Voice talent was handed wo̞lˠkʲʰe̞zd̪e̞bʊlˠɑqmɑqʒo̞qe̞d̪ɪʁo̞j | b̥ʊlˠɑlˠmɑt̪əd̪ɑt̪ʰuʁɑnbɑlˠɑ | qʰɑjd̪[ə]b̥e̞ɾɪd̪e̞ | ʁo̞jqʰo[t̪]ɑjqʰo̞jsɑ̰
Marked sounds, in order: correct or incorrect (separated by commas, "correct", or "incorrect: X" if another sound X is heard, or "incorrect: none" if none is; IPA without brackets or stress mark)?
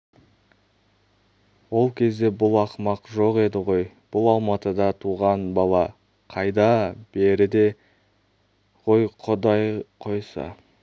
incorrect: ɑ, incorrect: d̪